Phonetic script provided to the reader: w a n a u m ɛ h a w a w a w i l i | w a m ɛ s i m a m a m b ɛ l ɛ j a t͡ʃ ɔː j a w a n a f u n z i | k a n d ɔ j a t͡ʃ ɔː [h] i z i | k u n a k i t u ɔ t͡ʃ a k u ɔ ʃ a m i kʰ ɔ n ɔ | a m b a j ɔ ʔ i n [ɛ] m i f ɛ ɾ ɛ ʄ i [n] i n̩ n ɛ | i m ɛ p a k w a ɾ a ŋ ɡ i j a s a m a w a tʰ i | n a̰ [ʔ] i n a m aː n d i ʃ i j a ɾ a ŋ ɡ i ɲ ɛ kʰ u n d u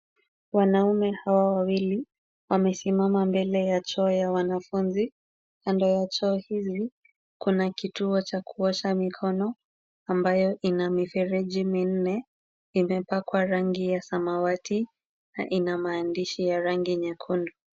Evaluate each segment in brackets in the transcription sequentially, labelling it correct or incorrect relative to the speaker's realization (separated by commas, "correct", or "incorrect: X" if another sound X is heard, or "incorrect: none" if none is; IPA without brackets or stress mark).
correct, incorrect: a, incorrect: m, correct